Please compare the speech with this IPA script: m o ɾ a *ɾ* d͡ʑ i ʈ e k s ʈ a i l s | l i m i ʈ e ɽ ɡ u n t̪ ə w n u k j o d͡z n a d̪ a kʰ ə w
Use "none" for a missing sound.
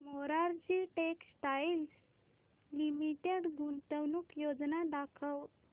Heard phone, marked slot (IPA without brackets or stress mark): ɾ